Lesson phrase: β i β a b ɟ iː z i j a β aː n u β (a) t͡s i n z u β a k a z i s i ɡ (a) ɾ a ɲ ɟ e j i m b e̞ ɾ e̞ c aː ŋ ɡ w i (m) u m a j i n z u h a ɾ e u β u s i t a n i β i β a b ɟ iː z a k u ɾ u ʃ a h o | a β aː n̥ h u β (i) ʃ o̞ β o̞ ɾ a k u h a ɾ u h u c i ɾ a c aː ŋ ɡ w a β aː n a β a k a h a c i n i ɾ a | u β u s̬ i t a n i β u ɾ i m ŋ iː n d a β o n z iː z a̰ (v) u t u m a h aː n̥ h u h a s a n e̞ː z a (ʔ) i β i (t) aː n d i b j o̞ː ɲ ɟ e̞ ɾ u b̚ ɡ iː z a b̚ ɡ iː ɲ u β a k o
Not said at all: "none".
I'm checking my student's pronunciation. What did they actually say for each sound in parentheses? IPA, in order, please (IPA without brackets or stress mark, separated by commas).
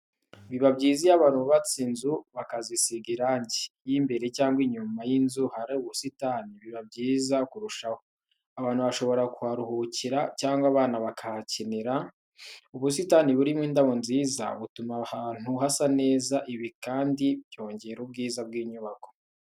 a, i, ɲ, a, β, ʔ, k